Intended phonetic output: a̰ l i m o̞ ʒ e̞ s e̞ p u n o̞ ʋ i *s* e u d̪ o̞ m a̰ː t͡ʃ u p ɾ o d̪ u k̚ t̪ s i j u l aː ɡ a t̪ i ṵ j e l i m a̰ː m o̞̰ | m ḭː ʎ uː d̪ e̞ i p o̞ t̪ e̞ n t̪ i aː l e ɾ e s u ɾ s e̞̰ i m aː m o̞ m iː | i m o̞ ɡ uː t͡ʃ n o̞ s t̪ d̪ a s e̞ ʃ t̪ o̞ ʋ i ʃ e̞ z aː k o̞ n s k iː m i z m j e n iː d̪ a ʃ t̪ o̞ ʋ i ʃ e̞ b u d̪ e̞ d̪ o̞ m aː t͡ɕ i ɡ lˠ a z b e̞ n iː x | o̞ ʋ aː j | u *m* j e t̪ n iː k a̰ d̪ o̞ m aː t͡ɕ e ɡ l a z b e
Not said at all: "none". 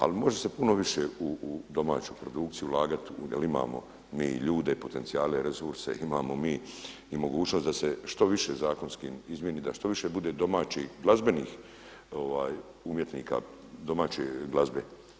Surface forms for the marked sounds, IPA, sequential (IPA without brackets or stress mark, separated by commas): ʃ, m